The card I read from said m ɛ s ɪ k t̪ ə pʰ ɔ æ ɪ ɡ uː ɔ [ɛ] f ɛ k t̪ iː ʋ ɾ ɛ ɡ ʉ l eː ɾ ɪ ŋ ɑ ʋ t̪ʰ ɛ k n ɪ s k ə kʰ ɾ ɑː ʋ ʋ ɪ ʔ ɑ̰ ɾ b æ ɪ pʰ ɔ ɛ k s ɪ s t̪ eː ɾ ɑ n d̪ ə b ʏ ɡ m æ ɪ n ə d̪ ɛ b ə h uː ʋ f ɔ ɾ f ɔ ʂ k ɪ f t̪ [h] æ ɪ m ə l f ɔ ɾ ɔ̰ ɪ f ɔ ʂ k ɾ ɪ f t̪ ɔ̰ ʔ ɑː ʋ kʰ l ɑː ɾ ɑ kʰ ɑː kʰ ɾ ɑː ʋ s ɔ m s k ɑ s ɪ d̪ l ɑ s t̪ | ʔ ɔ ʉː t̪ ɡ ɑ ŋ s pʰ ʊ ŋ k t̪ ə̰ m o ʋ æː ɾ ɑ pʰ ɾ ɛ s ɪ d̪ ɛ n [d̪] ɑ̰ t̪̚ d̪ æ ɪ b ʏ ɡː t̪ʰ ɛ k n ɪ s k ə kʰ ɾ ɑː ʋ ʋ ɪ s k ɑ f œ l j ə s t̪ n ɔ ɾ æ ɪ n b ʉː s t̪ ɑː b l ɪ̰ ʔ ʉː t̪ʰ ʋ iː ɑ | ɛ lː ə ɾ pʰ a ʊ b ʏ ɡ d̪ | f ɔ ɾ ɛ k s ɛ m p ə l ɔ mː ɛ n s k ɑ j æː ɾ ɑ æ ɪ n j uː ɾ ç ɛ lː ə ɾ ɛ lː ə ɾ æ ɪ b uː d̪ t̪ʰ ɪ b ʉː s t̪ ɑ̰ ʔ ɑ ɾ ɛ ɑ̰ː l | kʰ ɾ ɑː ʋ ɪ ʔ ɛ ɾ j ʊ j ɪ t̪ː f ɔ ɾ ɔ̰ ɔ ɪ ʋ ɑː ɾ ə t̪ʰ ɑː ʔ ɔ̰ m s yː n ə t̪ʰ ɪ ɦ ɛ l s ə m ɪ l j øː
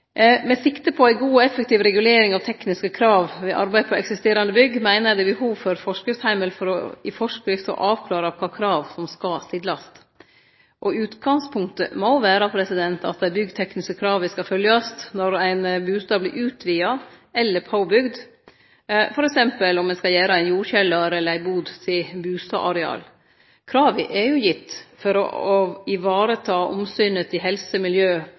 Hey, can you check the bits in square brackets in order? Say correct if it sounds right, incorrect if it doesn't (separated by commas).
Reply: correct, correct, incorrect